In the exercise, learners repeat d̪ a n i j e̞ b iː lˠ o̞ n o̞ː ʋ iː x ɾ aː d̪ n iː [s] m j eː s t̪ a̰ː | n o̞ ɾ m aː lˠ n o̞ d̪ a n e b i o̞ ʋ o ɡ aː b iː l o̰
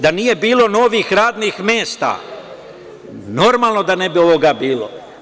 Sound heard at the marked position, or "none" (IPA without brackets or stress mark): x